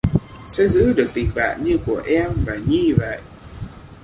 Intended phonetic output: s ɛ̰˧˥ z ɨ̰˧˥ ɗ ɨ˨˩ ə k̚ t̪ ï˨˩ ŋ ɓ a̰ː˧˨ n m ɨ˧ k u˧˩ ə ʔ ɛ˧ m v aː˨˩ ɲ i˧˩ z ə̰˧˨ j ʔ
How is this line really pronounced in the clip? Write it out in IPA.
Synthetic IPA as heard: s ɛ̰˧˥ z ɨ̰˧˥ ɗ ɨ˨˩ ə k̚ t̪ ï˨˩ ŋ ɓ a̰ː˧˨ n ɲ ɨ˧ k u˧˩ ə ʔ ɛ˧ m v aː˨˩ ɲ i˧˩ v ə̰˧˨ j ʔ